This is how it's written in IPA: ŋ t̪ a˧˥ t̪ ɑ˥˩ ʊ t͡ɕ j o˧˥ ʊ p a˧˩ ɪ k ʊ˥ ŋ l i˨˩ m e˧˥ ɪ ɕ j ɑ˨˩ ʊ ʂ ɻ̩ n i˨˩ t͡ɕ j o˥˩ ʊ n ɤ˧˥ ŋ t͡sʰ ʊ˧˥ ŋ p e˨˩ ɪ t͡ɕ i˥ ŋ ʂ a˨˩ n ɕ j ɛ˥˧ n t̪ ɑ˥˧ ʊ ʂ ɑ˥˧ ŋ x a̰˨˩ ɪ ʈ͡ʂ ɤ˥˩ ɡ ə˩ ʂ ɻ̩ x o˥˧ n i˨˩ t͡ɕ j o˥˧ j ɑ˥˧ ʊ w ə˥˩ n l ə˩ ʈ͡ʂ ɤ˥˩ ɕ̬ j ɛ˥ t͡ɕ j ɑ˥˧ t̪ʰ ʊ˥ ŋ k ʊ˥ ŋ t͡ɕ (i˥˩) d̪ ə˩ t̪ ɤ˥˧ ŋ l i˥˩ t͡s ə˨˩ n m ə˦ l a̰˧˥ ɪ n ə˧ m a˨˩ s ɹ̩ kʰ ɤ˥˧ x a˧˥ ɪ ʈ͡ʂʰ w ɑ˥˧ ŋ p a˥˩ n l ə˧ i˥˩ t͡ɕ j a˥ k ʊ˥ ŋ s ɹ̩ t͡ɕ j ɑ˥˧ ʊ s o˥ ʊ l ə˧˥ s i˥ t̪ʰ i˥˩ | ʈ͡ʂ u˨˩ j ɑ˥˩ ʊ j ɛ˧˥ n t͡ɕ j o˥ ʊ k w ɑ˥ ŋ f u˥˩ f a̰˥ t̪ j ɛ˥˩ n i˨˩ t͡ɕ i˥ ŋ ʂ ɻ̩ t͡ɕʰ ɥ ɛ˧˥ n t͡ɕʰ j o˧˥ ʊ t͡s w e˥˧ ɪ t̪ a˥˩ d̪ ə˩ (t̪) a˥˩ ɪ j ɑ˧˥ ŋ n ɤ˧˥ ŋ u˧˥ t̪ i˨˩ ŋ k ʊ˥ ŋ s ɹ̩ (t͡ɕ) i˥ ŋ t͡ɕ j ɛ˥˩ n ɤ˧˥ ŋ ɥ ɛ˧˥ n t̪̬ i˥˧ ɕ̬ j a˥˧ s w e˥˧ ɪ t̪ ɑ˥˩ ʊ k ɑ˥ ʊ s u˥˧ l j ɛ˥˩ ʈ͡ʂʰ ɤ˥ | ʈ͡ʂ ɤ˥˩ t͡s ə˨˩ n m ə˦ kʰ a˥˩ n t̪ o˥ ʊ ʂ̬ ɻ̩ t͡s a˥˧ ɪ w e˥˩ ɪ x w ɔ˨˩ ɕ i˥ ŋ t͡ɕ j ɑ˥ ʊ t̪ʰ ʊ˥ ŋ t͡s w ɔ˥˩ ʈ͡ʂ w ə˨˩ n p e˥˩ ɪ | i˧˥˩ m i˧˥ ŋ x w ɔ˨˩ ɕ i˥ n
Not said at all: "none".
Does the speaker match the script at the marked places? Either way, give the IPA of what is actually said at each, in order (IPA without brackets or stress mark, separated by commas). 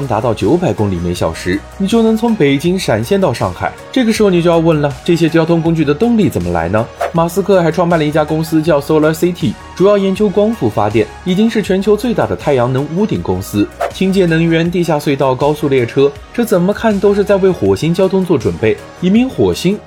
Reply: y˥˩, t̪ʰ, t͡ɕʰ